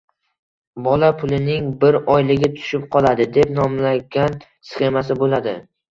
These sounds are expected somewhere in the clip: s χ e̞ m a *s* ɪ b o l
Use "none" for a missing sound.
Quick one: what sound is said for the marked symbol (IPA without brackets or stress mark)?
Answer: s